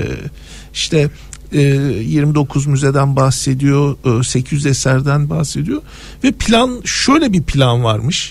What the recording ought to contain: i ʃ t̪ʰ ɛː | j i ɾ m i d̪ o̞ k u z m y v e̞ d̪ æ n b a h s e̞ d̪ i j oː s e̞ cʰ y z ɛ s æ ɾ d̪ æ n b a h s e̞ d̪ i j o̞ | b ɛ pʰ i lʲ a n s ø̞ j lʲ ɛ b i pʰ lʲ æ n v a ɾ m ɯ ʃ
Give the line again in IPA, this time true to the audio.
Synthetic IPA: i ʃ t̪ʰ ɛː | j i ɾ m i d̪ o̞ kʰ u z m y z e̞ d̪ æ n b a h s e̞ d̪ i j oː s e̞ cʰ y z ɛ s æ ɾ d̪ æ n b a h s e̞ d̪ i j o̞ | v ɛ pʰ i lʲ a n ʃ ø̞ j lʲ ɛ b i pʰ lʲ a n v a ɾ m ɯ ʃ